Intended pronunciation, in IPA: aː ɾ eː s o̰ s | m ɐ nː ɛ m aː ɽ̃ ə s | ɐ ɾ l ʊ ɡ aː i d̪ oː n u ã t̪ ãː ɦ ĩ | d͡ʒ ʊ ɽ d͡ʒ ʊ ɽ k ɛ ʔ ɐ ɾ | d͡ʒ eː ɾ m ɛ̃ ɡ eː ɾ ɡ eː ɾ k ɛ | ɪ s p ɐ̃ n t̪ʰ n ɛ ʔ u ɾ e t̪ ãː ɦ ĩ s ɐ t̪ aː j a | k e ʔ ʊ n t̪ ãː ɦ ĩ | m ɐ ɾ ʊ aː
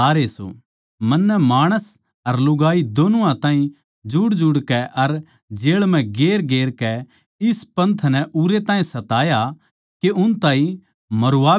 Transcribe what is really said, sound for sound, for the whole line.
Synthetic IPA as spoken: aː ɾ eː s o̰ | m ɐ nː ɛ m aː ɽ̃ ə s | ɐ ɾ l ʊ ɡ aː i d̪ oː n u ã t̪ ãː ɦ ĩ | d͡ʒ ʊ ɽ d͡ʒ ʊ ɽ k ɛ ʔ ɐ ɾ | d͡ʒ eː ɭ m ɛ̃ ɡ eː ɾ ɡ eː ɾ k ɛ | ɪ s p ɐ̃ n t̪ʰ n ɛ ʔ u ɾ e t̪ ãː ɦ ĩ s ɐ t̪ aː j a | k e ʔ ʊ n t̪ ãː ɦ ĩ | m ɐ ɾ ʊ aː